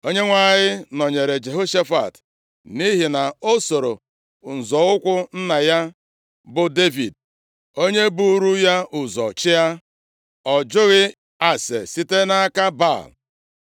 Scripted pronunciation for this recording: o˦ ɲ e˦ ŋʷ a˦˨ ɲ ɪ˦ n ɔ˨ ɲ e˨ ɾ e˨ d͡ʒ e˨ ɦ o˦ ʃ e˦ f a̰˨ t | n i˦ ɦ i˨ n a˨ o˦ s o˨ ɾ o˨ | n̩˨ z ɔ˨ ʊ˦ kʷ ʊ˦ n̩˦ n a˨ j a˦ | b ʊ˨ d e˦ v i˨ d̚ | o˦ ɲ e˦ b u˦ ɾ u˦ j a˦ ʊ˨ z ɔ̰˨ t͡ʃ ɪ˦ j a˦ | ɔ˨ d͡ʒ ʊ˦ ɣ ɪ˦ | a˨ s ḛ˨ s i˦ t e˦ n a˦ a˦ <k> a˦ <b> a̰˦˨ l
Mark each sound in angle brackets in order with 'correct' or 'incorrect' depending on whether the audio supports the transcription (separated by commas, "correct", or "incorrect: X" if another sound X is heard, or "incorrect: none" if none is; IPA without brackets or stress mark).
correct, correct